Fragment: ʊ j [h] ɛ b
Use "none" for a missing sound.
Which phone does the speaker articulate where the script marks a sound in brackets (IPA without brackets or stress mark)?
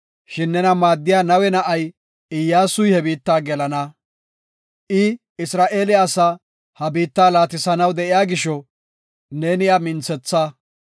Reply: h